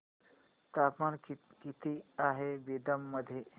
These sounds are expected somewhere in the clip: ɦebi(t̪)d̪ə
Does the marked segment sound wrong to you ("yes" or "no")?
yes